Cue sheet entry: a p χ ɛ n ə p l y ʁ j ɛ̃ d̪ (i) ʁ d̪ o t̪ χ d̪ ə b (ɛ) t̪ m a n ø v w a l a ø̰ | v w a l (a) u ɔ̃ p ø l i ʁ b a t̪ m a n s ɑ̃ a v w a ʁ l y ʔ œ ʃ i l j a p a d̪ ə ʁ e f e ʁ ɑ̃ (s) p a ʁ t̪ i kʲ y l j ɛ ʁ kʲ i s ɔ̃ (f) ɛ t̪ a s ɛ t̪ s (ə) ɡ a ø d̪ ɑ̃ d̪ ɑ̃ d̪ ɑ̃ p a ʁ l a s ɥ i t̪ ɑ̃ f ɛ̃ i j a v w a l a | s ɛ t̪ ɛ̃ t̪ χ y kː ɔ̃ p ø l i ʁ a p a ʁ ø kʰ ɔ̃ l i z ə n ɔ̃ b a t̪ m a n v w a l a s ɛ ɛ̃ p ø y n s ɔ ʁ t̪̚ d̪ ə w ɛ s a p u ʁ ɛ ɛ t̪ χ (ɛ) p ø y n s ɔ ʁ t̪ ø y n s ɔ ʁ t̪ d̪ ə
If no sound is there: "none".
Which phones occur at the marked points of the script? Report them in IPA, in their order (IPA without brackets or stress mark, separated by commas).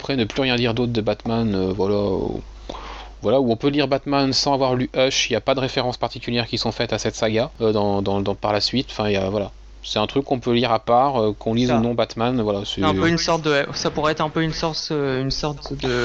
i, a, a, s, f, a, ɛ̃